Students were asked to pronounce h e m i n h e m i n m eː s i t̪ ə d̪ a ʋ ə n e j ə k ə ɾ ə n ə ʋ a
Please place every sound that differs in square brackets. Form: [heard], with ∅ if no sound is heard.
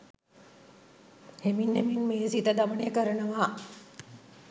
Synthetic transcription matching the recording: h e m i n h e m i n m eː s i t̪ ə d̪ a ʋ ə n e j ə k ə ɾ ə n ə ʋ a